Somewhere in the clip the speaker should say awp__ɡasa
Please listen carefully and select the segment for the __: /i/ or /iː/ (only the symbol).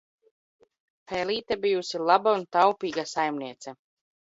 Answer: iː